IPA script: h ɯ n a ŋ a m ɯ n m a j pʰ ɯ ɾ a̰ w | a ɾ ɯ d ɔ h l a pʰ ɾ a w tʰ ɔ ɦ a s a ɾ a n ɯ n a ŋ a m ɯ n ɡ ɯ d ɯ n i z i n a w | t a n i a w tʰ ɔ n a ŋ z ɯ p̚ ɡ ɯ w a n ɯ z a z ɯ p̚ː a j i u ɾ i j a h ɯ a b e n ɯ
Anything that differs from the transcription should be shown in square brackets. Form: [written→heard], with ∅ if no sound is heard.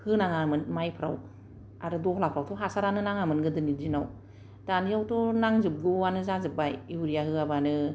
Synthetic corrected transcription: h ɯ n a ŋ a m ɯ n m a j pʰ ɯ ɾ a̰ w | a ɾ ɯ d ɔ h l a pʰ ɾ a w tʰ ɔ ɦ a s a ɾ a n ɯ n a ŋ a m ɯ n ɡ ɯ d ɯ n i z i n a w | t a n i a w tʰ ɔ n a ŋ z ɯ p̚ ɡ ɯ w a n ɯ z a z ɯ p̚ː a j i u ɾ i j a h ɯ a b [e→a] n ɯ